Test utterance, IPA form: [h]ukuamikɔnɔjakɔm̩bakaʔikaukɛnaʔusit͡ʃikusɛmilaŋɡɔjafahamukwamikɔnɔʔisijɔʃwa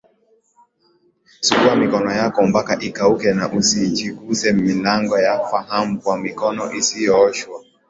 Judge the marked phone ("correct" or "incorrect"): incorrect